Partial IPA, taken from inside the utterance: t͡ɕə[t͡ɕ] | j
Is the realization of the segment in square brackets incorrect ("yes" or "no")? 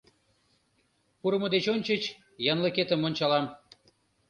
no